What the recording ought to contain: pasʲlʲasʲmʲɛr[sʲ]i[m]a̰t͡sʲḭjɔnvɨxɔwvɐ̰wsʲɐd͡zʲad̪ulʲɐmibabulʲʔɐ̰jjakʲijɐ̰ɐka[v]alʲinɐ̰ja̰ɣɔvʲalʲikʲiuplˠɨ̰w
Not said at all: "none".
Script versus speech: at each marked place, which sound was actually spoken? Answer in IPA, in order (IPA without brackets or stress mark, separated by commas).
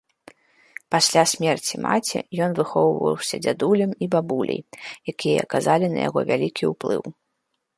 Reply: t͡sʲ, m, z